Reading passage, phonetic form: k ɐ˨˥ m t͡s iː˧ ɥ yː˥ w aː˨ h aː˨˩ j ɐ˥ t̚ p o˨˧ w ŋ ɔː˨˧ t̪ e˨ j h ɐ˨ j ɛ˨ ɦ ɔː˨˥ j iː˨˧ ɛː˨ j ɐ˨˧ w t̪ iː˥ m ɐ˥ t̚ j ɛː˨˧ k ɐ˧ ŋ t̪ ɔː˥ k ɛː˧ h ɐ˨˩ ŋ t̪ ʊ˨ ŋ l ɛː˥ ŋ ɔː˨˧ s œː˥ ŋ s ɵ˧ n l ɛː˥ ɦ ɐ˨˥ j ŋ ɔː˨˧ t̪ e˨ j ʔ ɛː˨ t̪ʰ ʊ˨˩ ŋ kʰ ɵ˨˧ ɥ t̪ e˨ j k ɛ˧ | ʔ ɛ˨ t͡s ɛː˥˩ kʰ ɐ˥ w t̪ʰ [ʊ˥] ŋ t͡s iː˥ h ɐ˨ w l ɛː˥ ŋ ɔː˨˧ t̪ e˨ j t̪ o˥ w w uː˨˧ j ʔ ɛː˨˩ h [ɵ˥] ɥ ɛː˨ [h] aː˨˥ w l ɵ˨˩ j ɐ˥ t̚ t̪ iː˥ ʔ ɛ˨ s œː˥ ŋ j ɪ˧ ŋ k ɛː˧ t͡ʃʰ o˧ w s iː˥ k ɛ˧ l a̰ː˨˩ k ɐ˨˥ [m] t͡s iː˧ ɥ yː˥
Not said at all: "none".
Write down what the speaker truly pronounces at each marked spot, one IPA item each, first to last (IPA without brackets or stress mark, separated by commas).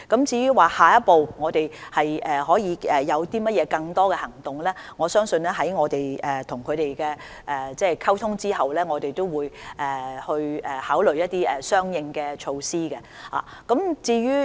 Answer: ʊ˥, ɵ˧, h, m